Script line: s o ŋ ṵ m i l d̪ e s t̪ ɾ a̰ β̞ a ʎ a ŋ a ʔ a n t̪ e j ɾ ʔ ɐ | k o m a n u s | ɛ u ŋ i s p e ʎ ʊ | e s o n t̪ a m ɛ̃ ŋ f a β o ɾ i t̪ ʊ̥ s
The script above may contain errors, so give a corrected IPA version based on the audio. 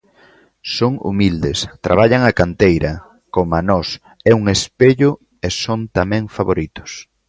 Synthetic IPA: s o ŋ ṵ m i l d̪ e s t̪ ɾ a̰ β̞ a ʎ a ŋ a k a n t̪ e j ɾ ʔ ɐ | k o m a n ɔ s | ɛ u ŋ e s p e ʎ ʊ | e s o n t̪ a m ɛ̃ ŋ f a β o ɾ i t̪ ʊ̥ s